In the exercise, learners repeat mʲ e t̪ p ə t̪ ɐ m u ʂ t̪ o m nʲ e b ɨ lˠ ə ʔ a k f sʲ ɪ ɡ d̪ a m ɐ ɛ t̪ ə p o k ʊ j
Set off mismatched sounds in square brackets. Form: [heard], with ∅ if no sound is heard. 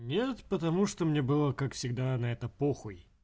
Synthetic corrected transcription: [nʲ] e t̪ p ə t̪ ɐ m u ʂ t̪ o m nʲ e b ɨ lˠ ə [k] a k f sʲ ɪ ɡ d̪ a [n] ɐ ɛ t̪ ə p o [x] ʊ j